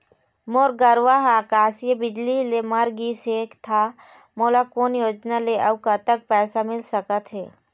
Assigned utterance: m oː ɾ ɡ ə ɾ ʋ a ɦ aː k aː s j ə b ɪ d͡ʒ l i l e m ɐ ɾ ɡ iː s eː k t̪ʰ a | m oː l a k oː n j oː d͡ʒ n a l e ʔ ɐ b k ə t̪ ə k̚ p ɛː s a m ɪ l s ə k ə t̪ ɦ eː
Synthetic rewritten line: m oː ɾ ɡ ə ɾ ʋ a ɦ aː k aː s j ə b ɪ d͡ʒ l i l e m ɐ ɾ ɡ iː s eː k t̪ʰ a | m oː l a k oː n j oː d͡ʒ n a l e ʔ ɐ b k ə t̪ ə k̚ p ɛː s a m ɪ l s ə k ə t̪ ɦ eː